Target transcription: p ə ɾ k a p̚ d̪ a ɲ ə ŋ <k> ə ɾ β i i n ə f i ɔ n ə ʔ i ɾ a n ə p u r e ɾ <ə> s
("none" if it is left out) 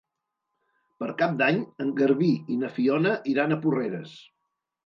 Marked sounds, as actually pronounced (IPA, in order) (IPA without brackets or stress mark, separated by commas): ɡ, ə